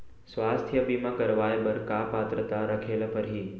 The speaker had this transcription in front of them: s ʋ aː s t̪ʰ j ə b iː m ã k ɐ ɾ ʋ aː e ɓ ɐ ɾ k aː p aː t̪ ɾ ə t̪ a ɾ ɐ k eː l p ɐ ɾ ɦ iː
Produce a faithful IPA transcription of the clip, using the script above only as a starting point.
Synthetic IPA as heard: s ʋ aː s t̪ʰ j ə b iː m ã k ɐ ɾ ʋ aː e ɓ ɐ ɾ k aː p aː t̪ ɾ ə t̪ a ɾ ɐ kʰ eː l p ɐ ɾ ɦ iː